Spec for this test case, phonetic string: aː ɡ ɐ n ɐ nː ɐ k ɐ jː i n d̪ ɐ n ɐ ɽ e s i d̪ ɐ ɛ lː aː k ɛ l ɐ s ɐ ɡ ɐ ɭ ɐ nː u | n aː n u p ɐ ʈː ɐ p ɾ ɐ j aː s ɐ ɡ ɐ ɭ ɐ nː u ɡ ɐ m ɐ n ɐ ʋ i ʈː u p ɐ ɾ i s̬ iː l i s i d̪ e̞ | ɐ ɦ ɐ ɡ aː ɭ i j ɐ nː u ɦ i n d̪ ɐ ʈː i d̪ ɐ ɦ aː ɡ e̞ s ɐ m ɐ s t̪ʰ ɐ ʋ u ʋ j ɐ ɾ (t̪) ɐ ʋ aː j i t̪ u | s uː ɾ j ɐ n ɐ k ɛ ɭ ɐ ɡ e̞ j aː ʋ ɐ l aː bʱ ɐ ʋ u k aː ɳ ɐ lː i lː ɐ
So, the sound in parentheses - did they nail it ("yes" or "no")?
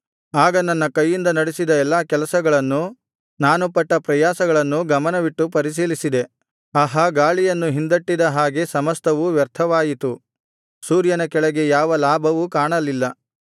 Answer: no